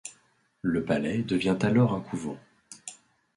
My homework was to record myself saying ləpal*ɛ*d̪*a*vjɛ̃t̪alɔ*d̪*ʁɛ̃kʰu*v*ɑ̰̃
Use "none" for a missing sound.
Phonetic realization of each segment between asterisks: ɛ, ə, none, v

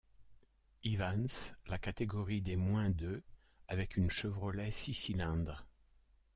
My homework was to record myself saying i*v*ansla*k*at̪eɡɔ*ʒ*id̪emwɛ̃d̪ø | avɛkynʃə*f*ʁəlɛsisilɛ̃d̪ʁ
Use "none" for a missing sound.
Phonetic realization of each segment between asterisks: v, k, ʁ, v

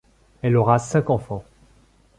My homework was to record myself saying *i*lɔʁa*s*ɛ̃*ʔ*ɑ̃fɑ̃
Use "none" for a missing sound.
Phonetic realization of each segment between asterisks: ɛ, s, k

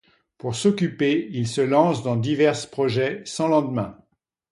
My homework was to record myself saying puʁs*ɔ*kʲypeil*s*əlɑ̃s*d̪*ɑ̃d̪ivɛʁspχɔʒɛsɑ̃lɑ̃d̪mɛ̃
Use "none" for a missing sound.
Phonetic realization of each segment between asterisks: ɔ, s, d̪

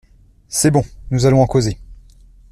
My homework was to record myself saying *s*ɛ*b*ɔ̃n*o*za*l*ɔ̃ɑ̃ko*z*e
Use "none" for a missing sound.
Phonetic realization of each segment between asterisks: s, b, u, l, z

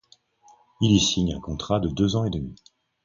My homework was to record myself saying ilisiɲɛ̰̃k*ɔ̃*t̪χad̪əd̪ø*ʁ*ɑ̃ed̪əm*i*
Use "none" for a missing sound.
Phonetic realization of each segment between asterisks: ɔ̃, z, i

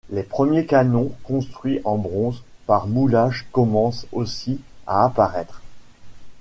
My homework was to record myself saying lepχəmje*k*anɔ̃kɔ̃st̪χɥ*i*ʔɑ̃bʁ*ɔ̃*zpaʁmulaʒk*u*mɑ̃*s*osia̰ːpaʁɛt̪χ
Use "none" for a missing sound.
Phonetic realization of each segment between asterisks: k, i, ɔ̃, ɔ, s

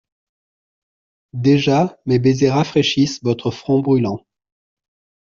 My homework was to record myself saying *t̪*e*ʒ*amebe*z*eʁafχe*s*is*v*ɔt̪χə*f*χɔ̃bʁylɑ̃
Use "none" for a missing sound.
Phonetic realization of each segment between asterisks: d̪, ʒ, z, ʃ, v, f

